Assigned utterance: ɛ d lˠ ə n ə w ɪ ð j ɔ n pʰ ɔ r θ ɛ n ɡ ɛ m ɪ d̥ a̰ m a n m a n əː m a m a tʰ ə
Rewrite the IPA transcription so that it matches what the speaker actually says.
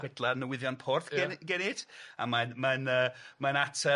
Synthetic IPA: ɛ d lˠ a n ə w ɪ ð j ɔ n pʰ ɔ r θ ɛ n ɡ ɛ n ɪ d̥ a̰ m a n m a n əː m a n a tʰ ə